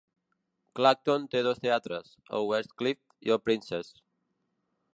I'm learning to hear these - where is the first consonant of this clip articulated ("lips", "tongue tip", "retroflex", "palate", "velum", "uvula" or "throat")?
velum